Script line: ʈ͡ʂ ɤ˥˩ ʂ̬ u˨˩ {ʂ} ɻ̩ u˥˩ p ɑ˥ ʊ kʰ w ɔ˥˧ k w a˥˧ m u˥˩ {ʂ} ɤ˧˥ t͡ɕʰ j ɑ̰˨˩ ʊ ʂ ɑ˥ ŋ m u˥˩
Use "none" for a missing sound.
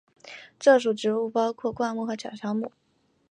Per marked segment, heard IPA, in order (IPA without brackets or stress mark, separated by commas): ʈ͡ʂ, x